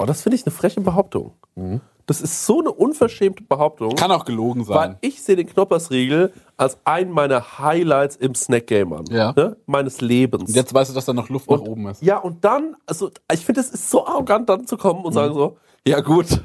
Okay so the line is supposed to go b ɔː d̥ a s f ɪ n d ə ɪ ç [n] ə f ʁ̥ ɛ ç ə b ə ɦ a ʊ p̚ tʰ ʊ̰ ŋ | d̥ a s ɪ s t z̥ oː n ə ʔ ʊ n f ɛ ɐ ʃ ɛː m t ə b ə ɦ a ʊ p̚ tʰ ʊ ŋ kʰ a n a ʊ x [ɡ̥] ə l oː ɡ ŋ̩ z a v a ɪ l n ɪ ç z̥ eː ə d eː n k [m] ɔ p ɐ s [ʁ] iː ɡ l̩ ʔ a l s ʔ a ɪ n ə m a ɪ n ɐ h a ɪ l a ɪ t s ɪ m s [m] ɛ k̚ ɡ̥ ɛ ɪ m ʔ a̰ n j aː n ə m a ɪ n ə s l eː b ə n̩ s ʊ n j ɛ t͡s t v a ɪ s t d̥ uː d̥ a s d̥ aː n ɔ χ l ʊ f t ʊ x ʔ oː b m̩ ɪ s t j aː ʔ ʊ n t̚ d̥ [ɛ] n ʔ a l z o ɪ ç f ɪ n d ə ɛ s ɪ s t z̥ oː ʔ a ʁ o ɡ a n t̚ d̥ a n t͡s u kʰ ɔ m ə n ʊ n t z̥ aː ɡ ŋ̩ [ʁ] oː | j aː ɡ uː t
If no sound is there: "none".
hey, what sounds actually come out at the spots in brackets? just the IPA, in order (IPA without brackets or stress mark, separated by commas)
n, ɡ̥, n, ʁ, n, a, z